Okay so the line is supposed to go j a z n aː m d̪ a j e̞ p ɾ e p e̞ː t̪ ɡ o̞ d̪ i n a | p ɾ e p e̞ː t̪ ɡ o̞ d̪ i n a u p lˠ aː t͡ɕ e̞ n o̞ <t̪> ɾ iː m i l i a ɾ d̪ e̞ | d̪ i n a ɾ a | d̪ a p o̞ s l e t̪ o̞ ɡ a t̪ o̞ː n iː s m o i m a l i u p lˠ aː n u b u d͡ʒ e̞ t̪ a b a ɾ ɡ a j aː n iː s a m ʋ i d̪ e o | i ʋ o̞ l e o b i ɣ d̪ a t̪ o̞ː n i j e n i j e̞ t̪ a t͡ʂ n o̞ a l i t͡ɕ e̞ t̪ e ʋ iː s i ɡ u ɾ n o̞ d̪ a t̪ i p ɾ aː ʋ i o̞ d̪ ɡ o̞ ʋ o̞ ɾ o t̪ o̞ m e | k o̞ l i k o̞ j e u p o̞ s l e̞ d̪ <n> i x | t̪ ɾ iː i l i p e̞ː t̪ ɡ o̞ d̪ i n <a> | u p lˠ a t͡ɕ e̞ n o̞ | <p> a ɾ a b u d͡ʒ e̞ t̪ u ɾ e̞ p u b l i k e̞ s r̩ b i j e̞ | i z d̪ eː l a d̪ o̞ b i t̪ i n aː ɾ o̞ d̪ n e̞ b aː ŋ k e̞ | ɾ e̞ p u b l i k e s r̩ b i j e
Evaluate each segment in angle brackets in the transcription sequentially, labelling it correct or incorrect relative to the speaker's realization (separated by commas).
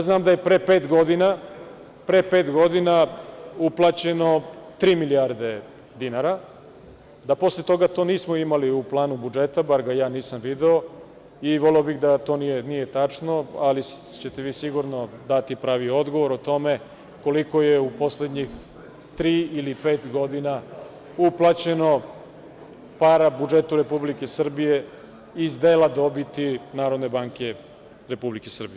correct, incorrect, correct, correct